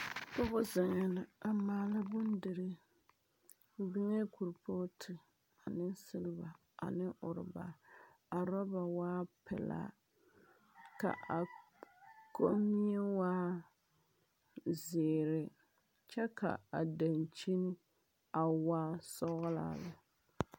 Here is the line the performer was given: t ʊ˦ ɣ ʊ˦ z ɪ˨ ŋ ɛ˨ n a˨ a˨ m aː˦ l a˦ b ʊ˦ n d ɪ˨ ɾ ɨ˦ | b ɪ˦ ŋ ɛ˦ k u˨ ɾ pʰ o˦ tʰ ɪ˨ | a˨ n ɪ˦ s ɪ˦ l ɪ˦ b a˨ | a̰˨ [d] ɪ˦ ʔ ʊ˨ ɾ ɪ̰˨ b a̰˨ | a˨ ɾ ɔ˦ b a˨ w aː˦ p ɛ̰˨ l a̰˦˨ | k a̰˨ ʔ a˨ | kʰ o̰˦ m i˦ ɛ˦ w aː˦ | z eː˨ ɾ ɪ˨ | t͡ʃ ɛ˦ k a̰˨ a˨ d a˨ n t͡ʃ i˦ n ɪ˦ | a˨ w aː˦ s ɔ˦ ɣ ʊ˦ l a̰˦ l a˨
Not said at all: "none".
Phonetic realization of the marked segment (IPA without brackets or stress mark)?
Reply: n